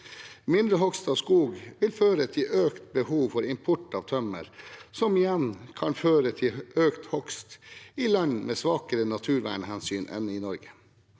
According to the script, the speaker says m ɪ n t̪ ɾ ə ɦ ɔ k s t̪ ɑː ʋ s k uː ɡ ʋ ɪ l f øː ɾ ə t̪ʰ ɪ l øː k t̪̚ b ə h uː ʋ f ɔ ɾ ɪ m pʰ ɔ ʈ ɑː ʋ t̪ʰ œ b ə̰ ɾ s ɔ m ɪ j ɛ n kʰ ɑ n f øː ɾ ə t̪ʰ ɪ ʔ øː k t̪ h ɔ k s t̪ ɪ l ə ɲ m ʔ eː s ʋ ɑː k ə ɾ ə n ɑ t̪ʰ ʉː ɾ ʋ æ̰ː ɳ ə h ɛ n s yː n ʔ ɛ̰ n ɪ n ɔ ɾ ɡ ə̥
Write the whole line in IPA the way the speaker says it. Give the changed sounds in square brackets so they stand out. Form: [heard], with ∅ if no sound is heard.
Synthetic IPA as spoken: m ɪ n [d̪] ɾ ə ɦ ɔ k s t̪ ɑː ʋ s k uː ɡ ʋ ɪ l f øː ɾ ə t̪ʰ ɪ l øː k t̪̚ b ə h uː ʋ f ɔ ɾ ɪ m pʰ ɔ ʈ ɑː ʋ t̪ʰ œ [m] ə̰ ɾ s ɔ m ɪ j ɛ n kʰ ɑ n f øː ɾ ə t̪ʰ ɪ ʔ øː k t̪ h ɔ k s t̪ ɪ l [ɑ] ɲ m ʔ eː s ʋ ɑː k ə ɾ ə n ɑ t̪ʰ ʉː ɾ ʋ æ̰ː ɳ ə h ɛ n s yː n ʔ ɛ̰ n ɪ n ɔ ɾ ɡ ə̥

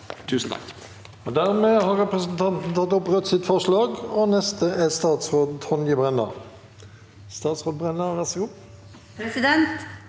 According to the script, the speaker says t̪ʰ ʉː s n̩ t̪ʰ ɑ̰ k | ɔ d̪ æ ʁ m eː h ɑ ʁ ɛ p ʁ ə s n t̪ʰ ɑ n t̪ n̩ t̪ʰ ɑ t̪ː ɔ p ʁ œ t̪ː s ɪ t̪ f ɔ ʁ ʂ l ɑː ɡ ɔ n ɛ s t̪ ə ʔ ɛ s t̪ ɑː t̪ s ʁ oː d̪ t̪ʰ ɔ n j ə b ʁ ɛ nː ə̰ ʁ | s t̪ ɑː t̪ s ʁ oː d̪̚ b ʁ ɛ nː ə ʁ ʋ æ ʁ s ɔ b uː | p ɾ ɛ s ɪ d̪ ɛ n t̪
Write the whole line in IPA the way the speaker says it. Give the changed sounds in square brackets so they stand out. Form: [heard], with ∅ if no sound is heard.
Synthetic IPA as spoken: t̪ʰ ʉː s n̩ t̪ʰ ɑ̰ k | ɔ d̪ æ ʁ m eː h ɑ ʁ ɛ p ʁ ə s n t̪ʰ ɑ n t̪ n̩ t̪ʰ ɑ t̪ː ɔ p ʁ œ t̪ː s ɪ t̪ f ɔ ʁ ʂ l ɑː ɡ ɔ n ɛ s t̪ ə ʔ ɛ s t̪ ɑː t̪ s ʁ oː d̪ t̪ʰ ɔ n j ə b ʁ ɛ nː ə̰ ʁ | s t̪ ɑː t̪ s ʁ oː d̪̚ b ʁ ɛ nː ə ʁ ʋ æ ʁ s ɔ [ɡ] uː | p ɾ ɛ s ɪ d̪ ɛ n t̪

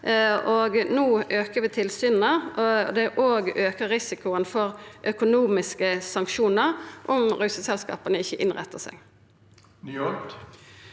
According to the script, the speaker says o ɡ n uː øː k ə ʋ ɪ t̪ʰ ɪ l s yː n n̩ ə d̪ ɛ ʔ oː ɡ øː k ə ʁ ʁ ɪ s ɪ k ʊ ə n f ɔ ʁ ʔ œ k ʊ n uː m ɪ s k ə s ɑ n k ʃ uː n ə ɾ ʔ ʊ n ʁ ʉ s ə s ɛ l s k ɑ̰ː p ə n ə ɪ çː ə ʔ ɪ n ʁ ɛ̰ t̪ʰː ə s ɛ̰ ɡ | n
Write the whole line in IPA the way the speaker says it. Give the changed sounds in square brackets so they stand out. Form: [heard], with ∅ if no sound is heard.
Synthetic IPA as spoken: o ɡ n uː øː k ə ʋ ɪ t̪ʰ ɪ l s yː n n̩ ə d̪ ɛ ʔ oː ɡ øː k ə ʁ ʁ ɪ s ɪ k ʊ ə n f ɔ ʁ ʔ œ k ʊ n uː m ɪ s k ə s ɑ [ŋ] k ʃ uː n ə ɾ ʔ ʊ [m] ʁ ʉ s ə s ɛ l s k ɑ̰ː p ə n ə ɪ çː ə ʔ ɪ n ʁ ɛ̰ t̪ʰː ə s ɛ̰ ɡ | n

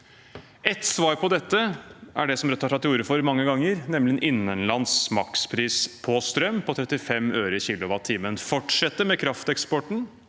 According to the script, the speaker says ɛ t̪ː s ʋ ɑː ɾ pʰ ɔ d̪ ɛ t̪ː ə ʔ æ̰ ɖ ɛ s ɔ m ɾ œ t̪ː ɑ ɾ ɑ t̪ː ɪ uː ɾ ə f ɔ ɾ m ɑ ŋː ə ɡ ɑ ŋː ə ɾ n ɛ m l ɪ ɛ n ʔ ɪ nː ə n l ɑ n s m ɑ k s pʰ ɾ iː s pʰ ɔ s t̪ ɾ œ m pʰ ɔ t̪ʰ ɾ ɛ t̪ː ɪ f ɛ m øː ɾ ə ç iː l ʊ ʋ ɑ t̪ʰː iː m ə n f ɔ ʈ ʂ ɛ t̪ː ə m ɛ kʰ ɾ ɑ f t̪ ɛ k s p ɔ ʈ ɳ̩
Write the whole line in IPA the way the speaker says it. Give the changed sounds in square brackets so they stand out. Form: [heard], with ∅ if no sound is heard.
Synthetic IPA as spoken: ɛ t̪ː s ʋ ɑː ɾ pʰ ɔ d̪ ɛ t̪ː ə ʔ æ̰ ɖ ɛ s ɔ m ɾ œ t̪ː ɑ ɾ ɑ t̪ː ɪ uː ɾ ə f ɔ ɾ m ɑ ŋː ə ɡ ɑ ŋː ə ɾ n ɛ m l ɪ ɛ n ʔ ɪ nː ə n l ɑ n s m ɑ k s pʰ ɾ iː s pʰ ɔ s t̪ ɾ œ m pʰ ɔ t̪ʰ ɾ ɛ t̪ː ɪ f ɛ m øː ɾ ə ç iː l ʊ ʋ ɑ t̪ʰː iː m ə n f ɔ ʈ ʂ ɛ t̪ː ə m ɛ kʰ ɾ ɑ f t̪ ɛ k s p ɔ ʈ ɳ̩

